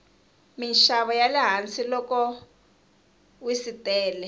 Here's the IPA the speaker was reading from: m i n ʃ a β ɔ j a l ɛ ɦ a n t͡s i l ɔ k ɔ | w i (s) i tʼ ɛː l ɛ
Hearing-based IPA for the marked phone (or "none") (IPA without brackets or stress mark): s